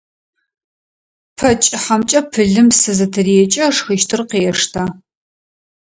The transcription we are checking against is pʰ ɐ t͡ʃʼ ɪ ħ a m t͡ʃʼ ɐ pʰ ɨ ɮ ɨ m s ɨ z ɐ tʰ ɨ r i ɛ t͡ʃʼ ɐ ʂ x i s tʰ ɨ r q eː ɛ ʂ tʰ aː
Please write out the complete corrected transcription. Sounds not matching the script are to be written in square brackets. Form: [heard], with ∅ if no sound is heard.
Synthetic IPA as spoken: pʰ ɐ t͡ʃʼ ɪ ħ a m t͡ʃʼ ɐ pʰ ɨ ɮ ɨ m s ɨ z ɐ tʰ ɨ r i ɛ t͡ʃʼ ɐ ʂ x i [ʃ] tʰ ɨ r q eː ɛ ʂ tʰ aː